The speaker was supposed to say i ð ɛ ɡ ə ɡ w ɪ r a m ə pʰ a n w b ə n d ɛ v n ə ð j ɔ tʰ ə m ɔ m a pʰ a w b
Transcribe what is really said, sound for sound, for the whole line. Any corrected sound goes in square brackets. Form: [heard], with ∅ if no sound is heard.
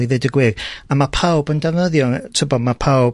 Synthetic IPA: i ð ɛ [d] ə ɡ w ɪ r a m [a] pʰ a [∅] w b ə n d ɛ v n ə ð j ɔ tʰ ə [b] ɔ m a pʰ a w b